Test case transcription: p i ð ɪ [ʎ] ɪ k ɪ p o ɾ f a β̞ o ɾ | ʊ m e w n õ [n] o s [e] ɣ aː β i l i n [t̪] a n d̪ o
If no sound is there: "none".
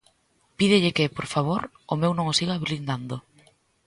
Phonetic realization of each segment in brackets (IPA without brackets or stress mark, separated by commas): ʎ, ŋ, i, d̪